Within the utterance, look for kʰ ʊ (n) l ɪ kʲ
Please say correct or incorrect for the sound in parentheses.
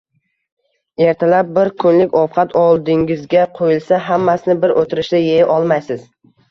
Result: correct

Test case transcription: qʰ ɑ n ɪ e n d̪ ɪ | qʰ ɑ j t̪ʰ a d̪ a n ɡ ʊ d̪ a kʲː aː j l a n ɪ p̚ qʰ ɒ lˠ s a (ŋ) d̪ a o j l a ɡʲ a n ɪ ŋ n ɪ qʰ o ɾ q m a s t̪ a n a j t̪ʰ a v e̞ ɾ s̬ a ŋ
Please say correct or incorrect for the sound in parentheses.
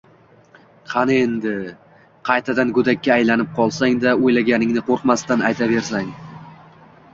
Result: correct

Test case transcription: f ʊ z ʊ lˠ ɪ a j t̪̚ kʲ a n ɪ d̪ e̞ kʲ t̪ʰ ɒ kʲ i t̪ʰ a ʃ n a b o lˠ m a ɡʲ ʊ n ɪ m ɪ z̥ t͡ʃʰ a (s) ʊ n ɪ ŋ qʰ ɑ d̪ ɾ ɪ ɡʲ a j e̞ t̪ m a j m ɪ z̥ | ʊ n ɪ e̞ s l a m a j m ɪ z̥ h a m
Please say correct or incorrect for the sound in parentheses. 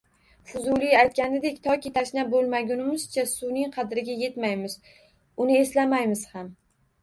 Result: correct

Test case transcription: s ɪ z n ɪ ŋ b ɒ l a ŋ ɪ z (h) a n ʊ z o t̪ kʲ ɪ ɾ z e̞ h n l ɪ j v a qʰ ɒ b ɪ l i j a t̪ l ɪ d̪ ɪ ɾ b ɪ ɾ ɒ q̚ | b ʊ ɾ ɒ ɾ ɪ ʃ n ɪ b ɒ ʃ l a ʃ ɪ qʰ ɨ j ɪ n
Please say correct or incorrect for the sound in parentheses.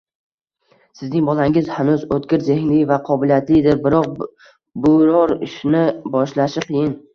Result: correct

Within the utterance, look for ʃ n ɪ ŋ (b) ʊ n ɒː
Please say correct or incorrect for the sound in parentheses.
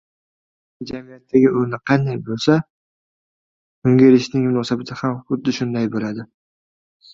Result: incorrect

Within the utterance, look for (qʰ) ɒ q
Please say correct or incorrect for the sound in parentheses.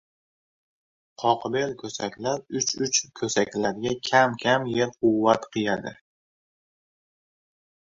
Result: correct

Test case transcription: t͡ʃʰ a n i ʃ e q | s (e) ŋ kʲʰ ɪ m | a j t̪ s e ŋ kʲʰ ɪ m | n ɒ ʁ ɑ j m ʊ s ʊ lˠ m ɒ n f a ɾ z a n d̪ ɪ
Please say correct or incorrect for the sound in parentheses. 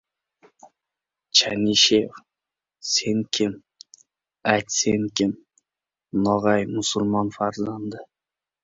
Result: correct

